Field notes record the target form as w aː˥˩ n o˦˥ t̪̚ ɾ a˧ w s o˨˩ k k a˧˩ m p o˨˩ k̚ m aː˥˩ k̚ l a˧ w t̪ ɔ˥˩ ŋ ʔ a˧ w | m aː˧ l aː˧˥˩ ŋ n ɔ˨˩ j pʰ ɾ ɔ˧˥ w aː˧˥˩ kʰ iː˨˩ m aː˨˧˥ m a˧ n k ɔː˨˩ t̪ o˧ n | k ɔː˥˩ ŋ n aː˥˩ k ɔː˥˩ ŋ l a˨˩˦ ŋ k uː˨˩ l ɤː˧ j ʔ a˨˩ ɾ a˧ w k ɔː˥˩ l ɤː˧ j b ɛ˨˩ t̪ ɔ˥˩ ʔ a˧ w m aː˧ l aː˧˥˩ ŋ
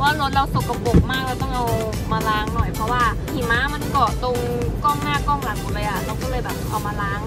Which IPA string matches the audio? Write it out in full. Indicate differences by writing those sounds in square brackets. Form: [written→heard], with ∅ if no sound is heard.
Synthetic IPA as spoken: w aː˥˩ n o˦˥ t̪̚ ɾ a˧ w s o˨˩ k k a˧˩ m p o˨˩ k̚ m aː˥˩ k̚ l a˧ w t̪ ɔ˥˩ ŋ ʔ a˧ w | m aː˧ l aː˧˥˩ ŋ n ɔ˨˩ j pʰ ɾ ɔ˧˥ w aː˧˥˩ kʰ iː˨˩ m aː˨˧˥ m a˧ n k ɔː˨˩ t̪ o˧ [n→ŋ] | k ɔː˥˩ ŋ n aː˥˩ k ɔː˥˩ ŋ l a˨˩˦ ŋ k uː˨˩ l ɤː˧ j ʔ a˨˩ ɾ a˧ w k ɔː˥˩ l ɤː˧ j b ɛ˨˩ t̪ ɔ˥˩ ʔ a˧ w m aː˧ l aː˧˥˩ ŋ